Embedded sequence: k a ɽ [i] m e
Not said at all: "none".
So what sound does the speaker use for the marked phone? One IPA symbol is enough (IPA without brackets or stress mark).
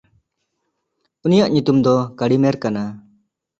i